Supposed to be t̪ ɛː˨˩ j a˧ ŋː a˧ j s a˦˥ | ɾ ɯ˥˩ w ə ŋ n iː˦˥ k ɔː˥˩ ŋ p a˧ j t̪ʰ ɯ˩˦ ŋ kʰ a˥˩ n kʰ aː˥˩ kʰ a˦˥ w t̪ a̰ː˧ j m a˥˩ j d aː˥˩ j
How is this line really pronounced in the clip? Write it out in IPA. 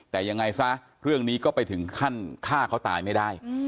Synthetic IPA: t̪ ɛː˨˩ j a˧ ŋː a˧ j s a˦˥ | ɾ ɯ˥˩ ə ŋ n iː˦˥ k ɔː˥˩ p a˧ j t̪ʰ ɯ˩˦ ŋ kʰ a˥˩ n kʰ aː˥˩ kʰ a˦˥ w t̪ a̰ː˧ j m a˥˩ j d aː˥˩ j